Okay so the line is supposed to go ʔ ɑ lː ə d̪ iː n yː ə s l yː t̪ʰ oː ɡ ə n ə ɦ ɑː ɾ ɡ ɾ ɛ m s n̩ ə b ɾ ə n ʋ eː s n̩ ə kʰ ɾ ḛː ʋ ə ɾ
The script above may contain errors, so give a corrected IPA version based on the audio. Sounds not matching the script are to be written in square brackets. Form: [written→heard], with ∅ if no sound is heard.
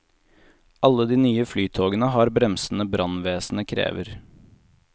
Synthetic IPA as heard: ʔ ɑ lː ə d̪ iː n yː ə [s→f] l yː t̪ʰ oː ɡ ə n ə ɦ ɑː ɾ [ɡ→b] ɾ ɛ m s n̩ ə b ɾ [ə→ɑ] n ʋ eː s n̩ ə kʰ ɾ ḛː ʋ ə ɾ